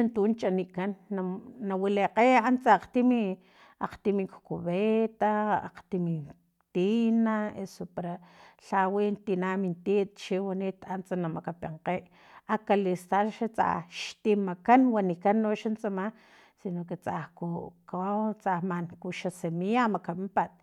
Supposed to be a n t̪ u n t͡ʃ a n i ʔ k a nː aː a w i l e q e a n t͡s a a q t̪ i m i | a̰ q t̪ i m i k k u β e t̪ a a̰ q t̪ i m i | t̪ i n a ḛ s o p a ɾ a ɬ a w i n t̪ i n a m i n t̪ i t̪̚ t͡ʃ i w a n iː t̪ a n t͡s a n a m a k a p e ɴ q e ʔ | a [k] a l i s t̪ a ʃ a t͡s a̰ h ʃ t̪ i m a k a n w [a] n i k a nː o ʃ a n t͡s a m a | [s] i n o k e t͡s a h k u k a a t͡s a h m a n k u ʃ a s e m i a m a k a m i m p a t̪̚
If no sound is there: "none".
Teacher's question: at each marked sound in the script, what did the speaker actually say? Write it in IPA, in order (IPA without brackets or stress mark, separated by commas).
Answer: k, a, s